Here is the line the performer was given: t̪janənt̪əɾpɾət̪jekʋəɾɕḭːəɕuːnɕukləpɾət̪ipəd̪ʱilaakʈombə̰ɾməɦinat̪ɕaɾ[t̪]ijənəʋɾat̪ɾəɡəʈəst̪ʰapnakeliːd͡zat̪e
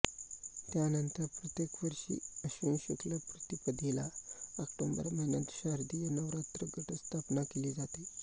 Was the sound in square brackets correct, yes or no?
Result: no